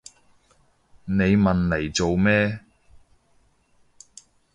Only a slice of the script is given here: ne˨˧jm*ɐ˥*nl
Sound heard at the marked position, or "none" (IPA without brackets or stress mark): ɐ˨